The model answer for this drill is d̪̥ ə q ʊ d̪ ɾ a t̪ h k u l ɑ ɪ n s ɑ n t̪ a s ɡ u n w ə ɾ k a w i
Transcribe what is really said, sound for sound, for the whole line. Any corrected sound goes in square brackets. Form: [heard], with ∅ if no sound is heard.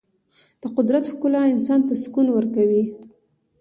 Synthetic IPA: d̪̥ ə q ʊ d̪ ɾ a t̪ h k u l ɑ ɪ n s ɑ n t̪ a s [k] u n w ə ɾ k a w i